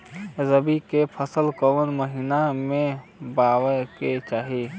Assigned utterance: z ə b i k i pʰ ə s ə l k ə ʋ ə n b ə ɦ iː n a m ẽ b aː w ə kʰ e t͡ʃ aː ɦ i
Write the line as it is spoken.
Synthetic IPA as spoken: z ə b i k e pʰ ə s ə l k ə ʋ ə n m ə ɦ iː n a m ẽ b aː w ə k e t͡ʃ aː ɦ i